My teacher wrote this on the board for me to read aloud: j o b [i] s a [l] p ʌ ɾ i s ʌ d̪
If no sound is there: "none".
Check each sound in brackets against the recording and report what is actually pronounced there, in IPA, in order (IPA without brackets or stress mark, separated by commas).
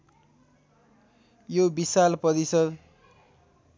i, l